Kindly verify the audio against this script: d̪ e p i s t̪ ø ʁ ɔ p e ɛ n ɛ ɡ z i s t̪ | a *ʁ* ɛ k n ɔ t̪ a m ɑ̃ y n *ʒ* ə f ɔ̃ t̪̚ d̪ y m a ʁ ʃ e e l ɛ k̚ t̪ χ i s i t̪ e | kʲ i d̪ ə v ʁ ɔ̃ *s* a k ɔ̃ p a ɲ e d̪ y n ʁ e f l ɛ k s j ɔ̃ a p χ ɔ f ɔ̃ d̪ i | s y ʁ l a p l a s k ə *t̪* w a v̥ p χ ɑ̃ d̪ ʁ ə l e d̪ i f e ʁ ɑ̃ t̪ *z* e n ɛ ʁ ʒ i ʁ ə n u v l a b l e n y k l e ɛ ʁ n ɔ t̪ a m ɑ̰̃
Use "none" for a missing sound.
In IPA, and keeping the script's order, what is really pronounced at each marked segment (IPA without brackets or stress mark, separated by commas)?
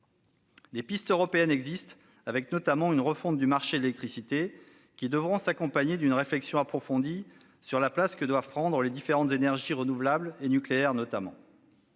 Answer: v, ʁ, s, d̪, z